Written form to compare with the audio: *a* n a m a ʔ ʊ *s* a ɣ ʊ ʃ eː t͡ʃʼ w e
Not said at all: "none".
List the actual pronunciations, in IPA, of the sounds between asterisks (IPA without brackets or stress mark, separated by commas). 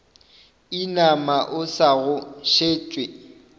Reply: i, s